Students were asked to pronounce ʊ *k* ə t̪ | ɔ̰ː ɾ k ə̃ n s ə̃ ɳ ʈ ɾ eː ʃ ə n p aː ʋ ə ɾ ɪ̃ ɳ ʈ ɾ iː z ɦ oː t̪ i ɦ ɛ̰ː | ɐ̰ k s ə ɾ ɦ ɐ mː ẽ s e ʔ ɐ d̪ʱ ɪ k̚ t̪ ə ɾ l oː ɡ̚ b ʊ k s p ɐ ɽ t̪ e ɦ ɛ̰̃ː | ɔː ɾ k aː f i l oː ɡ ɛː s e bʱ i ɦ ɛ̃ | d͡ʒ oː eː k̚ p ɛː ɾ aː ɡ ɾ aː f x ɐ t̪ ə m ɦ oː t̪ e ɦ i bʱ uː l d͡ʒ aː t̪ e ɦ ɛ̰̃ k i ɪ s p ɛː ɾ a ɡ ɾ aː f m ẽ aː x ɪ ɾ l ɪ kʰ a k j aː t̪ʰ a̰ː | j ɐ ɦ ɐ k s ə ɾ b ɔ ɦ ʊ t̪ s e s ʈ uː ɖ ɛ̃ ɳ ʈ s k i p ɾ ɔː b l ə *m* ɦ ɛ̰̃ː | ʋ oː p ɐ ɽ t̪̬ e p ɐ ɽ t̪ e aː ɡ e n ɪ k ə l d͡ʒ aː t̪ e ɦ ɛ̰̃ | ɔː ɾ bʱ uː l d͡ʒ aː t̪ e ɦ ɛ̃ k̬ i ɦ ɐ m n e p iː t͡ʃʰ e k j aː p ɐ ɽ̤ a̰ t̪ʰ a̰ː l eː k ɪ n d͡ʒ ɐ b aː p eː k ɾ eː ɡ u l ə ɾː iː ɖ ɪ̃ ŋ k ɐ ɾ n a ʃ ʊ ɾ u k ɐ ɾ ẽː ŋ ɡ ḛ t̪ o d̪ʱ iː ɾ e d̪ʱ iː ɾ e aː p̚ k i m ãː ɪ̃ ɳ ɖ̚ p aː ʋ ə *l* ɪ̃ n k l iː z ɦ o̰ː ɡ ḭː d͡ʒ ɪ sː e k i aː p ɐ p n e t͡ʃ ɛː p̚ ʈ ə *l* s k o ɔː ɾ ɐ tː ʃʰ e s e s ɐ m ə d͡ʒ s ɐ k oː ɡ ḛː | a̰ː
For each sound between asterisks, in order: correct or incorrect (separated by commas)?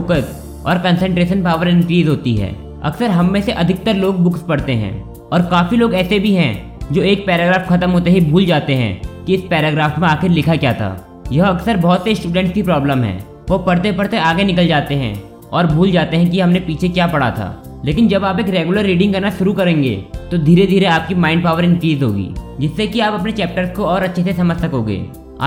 correct, correct, incorrect, incorrect